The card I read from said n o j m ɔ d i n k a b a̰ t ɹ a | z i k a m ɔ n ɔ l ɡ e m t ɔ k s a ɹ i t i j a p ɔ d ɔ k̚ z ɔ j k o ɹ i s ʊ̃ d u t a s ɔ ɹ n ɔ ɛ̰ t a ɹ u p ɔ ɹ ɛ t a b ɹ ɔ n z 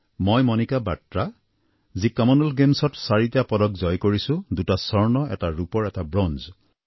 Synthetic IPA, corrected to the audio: m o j m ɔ n i k a b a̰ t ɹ a | z i k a m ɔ n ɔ l ɡ e m s ɔ t s a ɹ i t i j a p ɔ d ɔ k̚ z ɔ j k o ɹ i s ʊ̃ d u t a s ɔ ɹ n ɔ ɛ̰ t a ɹ u p ɔ ɹ ɛ t a b ɹ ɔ n z

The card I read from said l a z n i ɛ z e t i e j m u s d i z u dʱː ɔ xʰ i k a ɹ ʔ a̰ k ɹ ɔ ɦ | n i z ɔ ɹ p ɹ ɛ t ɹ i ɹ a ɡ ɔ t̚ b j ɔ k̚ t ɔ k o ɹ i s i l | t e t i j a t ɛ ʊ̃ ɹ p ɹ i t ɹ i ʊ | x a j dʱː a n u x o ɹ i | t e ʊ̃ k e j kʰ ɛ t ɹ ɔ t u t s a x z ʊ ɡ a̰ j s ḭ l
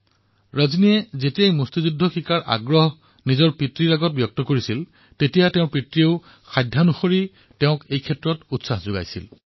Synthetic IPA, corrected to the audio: ɹ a z n i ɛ z e t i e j m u s t i z u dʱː ɔ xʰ i k a ɹ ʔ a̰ ɡ ɹ ɔ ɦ | n i z ɔ ɹ p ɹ i t ɹ i ɹ a ɡ ɔ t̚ b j ɔ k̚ t ɔ k o ɹ i s i l | t e t i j a t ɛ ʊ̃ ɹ p ɹ i t ɹ i ʊ | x a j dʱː a n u x o ɹ i | t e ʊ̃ k e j kʰ ɛ t ɹ ɔ t u t s a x z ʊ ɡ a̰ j s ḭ l

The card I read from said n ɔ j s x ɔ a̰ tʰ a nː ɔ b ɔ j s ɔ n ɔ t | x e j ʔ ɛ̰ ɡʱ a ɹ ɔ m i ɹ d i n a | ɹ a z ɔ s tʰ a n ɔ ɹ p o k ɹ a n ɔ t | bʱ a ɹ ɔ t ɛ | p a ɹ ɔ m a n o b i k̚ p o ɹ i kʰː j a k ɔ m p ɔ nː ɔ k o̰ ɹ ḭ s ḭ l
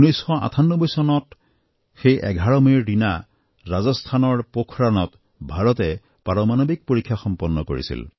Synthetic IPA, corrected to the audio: n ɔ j s x ɔ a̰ tʰ a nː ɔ b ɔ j s ɔ n ɔ t | x e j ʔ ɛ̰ ɡʱ a ɹ ɔ m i ɹ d i n a | ɹ a z ɔ s tʰ a n ɔ ɹ p o kʰ ɹ a n ɔ t | bʱ a ɹ ɔ t ɛ | p a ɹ ɔ m a n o b i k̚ p o ɹ i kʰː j a x ɔ m p ɔ nː ɔ k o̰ ɹ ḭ s ḭ l

